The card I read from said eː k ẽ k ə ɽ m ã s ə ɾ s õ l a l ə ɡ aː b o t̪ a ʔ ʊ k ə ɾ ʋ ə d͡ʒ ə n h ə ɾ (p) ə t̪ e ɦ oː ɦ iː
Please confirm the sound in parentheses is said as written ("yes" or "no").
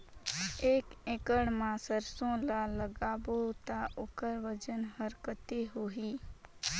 no